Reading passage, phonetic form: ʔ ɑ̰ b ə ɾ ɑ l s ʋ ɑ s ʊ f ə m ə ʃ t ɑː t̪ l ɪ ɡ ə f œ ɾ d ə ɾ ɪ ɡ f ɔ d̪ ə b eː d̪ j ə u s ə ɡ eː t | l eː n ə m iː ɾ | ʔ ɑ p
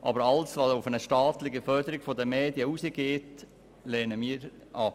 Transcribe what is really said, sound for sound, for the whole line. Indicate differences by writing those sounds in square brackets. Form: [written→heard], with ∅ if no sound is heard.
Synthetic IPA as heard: ʔ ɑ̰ b ə ɾ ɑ l s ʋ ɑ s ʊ f ə [m→n] ə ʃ t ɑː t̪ l ɪ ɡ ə f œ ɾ d ə ɾ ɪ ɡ f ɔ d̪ ə [b→m] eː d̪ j ə u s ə ɡ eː t | l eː n ə m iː ɾ | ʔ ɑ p

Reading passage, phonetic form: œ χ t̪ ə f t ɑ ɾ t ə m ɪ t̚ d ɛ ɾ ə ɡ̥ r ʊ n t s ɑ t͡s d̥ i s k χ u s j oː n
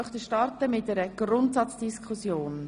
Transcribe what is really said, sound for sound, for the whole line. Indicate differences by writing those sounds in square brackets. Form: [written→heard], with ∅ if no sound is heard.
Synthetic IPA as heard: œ χ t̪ ə [f→ʃ] t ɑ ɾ t ə m ɪ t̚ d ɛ ɾ ə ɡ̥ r ʊ n t s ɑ t͡s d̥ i s k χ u s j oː n

